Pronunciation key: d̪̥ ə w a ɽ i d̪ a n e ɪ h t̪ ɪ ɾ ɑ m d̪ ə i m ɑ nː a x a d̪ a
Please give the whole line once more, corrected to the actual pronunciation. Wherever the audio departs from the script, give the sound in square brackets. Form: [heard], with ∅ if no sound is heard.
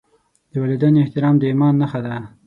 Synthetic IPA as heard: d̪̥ ə w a [l] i d̪ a n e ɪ h t̪ ɪ ɾ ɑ m d̪ ə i m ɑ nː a x a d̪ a